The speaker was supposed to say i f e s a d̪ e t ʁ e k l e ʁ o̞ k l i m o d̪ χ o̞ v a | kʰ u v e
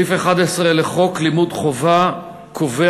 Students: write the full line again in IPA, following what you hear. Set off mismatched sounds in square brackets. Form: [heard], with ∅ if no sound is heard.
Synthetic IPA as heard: i f e [χ] a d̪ e [s] ʁ e [∅] l e [χ] o̞ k l i m [u] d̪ χ o̞ v a | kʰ [o] v e